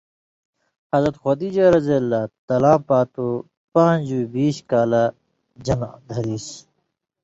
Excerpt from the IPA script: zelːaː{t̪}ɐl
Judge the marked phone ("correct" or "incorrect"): correct